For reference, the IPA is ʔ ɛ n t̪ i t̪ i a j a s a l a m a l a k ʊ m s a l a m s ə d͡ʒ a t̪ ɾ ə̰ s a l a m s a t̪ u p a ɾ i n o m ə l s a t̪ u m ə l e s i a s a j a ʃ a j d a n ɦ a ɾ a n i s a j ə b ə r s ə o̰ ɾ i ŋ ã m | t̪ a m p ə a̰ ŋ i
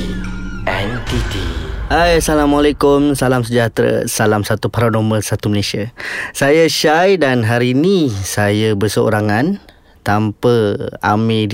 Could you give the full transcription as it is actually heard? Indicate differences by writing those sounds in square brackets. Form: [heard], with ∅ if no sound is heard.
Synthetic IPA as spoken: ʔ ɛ n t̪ i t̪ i a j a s a l a m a l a k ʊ m s a l a m s ə d͡ʒ a t̪ ɾ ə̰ s a l a m s a t̪ u p a ɾ [a] n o m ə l s a t̪ u m ə l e s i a s a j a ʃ a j d a n ɦ a ɾ [i] n i s a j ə b ə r s ə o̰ ɾ [a] ŋ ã [n] | t̪ a m p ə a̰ [m] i